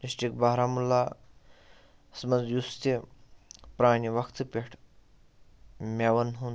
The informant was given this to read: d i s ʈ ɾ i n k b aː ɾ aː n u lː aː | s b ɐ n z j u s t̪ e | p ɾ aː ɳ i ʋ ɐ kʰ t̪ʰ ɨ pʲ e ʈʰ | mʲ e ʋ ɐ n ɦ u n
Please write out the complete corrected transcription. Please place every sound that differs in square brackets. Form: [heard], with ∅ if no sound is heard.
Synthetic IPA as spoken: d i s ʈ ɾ i [∅] k b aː ɾ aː [m] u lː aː | s [m] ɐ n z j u s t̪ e | p ɾ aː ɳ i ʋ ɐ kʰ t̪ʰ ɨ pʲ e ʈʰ | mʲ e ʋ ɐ n ɦ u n